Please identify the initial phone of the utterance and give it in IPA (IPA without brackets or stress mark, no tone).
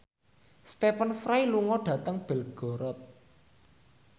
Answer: s